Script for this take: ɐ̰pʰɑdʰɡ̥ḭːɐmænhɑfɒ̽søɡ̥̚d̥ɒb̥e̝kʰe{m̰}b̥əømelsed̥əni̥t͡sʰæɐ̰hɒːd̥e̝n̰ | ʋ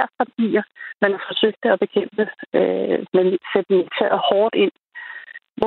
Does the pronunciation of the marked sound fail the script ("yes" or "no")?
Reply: no